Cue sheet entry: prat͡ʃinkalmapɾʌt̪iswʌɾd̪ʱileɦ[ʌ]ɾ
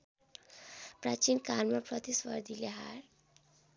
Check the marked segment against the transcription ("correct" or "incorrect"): incorrect